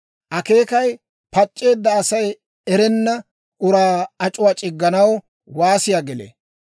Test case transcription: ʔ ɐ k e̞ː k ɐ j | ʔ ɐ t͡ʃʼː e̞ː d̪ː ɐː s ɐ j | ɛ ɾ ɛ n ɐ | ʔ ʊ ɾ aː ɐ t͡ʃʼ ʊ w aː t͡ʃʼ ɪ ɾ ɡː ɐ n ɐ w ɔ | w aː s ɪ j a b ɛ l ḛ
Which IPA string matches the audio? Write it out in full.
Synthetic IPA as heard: ʔ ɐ k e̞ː k ɐ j | p ɐ t͡ʃʼː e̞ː d̪ː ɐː s ɐ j | ɛ ɾ ɛ nː ɐ | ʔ ʊ ɾ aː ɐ t͡ʃʼ ʊ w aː t͡ʃʼ ɪ ɡː ɐ n ɐ w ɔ | w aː s ɪ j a ɡ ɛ l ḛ